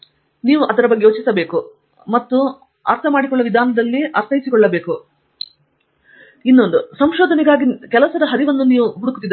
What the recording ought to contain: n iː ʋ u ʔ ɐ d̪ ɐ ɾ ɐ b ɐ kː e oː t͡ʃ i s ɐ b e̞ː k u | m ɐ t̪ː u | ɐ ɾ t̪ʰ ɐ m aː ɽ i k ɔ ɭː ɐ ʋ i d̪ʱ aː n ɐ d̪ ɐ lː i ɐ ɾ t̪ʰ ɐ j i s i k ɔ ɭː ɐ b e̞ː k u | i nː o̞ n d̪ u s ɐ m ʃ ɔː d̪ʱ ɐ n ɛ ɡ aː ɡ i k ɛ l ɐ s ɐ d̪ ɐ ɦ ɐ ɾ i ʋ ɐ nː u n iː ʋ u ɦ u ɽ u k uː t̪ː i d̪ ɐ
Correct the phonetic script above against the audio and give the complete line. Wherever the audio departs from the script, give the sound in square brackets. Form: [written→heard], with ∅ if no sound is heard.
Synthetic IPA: n iː ʋ u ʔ ɐ d̪ ɐ ɾ ɐ b ɐ [kː→ɡː] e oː t͡ʃ i s ɐ b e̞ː k u | m ɐ t̪ː u | ɐ ɾ t̪ʰ ɐ m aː ɽ i k ɔ ɭː ɐ ʋ i d̪ʱ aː n ɐ d̪ ɐ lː i ɐ ɾ t̪ʰ ɐ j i s i k ɔ ɭː ɐ b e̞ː k u | i nː o̞ n d̪ u s ɐ m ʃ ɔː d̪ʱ ɐ n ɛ ɡ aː ɡ i k ɛ l ɐ s ɐ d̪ ɐ ɦ ɐ ɾ i ʋ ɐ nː u n iː ʋ u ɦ u ɽ u k [uː→u] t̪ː i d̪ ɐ

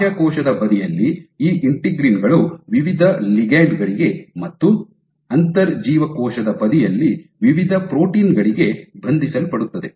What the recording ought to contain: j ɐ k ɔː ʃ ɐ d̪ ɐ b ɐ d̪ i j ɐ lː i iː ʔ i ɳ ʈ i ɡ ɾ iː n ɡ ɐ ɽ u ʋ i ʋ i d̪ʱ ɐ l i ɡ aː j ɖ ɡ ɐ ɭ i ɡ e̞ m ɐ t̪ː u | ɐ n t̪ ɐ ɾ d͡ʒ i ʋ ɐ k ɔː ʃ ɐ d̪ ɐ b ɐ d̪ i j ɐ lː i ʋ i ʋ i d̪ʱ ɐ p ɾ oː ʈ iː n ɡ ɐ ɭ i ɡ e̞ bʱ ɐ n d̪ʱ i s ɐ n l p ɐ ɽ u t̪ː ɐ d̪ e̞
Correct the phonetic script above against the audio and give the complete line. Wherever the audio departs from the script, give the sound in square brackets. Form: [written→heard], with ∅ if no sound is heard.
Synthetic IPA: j ɐ k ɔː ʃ ɐ d̪ ɐ b ɐ d̪ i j ɐ lː i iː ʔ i ɳ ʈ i ɡ ɾ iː n ɡ ɐ [ɽ→ɭ] u ʋ i ʋ i d̪ʱ ɐ l i ɡ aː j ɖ ɡ ɐ ɭ i ɡ e̞ m ɐ t̪ː u | ɐ n t̪ ɐ ɾ d͡ʒ [i→iː] ʋ ɐ k ɔː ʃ ɐ d̪ ɐ b ɐ d̪ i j ɐ lː i ʋ i ʋ i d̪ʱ ɐ p ɾ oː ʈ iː n ɡ ɐ ɭ i ɡ e̞ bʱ ɐ n d̪ʱ i s ɐ [n→∅] l p ɐ ɽ u t̪ː ɐ d̪ e̞

